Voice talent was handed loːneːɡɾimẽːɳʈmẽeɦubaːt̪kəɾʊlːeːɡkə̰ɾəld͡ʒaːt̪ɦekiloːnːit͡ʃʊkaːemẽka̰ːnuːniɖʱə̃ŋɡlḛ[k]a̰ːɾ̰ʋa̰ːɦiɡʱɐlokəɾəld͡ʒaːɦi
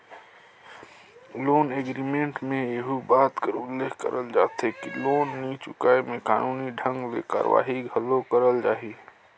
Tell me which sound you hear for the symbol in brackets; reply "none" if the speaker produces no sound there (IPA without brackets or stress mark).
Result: k